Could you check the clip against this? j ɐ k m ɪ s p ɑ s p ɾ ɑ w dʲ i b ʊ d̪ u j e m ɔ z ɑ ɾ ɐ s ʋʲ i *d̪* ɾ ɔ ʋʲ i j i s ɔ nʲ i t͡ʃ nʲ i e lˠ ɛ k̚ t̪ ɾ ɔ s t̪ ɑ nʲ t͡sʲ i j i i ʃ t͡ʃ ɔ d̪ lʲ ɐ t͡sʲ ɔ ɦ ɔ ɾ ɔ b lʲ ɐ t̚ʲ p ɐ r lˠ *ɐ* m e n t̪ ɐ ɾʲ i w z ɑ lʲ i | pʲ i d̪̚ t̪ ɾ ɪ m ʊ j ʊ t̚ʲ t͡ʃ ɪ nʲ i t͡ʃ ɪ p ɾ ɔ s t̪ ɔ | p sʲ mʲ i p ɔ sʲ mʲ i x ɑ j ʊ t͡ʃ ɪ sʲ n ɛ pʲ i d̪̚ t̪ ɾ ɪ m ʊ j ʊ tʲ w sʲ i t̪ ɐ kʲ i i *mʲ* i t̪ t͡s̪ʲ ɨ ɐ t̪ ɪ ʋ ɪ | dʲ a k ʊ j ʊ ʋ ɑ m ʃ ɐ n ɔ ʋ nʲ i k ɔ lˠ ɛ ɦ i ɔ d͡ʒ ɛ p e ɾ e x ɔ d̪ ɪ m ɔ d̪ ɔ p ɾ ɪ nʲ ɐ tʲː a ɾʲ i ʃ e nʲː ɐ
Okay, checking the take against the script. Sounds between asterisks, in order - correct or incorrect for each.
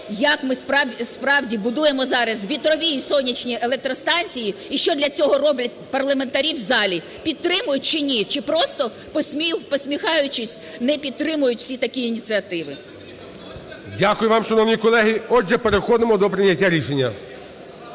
incorrect, correct, incorrect

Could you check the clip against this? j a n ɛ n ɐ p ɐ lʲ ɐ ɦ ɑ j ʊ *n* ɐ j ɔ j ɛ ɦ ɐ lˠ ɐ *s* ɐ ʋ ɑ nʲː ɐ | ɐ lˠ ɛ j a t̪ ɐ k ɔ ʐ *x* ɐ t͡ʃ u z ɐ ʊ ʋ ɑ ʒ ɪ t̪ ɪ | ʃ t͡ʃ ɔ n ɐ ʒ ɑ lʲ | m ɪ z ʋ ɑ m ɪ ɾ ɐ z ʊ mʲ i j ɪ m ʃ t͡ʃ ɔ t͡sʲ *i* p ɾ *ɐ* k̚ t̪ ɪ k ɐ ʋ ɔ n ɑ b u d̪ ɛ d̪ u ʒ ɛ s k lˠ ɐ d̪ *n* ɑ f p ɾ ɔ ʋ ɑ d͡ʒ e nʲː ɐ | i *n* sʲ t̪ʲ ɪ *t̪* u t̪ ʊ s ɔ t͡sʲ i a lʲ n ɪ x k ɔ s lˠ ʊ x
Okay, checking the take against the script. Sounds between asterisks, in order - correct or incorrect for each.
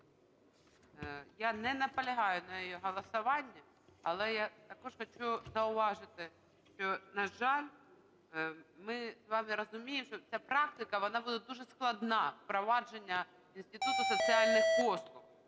correct, correct, correct, incorrect, incorrect, correct, correct, correct

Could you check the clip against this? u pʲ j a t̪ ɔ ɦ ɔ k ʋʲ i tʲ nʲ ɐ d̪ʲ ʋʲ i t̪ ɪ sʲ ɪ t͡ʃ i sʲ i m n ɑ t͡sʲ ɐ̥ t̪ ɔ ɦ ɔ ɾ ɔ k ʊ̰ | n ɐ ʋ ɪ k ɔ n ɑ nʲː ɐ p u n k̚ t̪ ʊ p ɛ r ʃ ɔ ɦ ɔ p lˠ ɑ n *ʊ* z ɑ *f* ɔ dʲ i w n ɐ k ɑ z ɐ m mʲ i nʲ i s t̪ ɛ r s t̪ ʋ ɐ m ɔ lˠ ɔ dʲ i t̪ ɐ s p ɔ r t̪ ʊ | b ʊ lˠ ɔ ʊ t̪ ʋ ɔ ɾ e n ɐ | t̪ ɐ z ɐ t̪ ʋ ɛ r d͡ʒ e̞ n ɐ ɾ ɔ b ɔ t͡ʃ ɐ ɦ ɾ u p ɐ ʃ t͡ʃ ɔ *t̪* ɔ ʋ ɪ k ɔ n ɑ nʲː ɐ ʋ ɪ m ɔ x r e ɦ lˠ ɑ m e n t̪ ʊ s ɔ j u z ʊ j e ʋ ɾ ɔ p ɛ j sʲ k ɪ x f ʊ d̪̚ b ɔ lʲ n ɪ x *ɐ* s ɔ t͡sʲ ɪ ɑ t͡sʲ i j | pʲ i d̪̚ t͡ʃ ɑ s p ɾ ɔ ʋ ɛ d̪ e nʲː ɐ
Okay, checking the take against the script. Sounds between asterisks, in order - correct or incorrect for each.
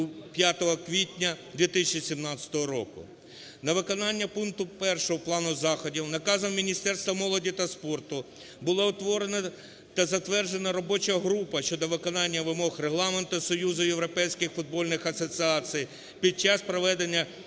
correct, incorrect, incorrect, correct

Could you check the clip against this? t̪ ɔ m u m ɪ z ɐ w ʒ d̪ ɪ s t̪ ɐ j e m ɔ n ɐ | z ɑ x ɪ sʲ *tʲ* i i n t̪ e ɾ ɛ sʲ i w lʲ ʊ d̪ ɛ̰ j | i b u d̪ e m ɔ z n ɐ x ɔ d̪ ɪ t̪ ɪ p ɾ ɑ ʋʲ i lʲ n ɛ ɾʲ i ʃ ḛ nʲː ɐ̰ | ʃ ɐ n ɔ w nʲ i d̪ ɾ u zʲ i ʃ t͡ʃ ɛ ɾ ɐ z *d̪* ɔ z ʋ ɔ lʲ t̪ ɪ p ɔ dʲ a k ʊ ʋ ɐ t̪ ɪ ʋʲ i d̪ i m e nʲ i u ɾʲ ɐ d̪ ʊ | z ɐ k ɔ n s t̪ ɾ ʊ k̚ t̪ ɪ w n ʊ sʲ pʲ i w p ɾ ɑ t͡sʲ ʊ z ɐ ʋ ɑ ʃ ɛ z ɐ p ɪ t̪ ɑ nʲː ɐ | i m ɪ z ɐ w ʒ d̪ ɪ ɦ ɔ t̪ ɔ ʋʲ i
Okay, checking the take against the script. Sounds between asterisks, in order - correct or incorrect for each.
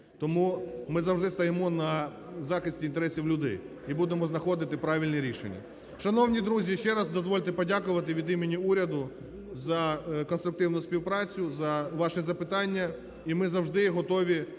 correct, correct

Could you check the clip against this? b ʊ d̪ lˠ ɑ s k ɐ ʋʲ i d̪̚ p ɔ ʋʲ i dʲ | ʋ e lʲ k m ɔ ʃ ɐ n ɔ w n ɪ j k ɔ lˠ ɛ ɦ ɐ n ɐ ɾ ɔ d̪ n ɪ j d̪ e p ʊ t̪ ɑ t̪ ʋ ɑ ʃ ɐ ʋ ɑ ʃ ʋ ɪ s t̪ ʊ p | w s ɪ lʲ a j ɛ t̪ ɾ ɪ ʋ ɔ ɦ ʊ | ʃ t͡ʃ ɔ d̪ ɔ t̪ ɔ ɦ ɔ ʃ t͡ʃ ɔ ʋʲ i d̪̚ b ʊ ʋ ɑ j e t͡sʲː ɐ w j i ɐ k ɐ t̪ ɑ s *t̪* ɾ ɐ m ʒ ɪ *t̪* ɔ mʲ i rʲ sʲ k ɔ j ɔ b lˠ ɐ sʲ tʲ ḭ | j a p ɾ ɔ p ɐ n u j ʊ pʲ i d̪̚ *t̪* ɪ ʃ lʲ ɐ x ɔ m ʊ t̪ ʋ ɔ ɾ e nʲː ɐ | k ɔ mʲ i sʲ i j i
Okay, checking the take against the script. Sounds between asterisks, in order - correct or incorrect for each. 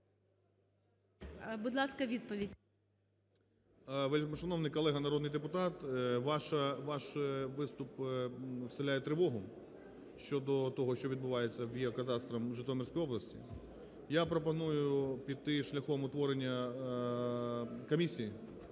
correct, correct, correct

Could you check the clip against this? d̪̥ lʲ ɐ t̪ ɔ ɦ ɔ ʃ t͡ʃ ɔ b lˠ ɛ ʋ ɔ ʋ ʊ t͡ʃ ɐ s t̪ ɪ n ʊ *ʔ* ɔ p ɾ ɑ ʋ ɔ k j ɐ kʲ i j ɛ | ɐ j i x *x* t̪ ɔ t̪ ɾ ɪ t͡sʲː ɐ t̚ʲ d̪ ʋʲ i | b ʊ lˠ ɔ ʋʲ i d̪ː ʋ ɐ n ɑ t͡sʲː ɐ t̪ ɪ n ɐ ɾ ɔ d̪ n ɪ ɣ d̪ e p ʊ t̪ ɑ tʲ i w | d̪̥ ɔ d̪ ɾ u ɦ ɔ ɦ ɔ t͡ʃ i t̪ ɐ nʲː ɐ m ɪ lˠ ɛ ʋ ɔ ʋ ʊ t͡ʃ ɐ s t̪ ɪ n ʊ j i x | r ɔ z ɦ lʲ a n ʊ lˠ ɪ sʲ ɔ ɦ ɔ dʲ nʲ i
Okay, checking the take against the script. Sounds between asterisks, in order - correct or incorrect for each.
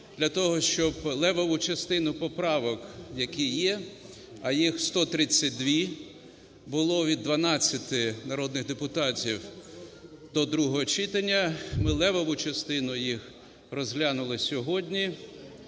incorrect, incorrect

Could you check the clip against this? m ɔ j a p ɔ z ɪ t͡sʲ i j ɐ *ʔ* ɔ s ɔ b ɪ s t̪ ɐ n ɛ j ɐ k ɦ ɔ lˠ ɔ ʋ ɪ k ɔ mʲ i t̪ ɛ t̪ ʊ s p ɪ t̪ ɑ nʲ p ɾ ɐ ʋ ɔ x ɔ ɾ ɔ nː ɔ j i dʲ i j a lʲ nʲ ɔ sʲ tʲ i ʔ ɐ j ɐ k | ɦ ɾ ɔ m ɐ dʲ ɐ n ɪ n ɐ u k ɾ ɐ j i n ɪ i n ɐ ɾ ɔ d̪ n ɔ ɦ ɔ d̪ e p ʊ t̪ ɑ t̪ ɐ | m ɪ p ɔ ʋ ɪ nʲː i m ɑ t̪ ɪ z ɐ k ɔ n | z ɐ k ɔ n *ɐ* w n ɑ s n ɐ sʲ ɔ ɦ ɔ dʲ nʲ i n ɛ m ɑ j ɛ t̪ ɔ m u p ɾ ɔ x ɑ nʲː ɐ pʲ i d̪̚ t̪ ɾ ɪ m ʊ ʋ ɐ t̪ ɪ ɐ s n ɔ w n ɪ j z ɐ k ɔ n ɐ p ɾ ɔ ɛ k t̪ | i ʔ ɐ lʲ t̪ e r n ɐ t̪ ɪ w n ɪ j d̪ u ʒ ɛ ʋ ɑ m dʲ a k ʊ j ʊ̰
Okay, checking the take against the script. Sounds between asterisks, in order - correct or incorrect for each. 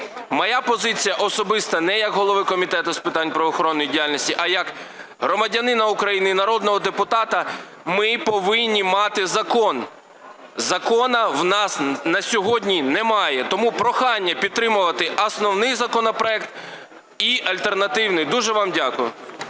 correct, correct

